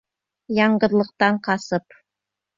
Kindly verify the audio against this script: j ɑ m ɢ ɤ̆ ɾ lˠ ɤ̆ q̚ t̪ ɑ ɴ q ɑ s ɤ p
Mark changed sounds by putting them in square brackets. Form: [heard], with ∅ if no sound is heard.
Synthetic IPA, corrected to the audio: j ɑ [ɴ] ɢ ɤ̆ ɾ lˠ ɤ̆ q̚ t̪ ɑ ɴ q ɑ s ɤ p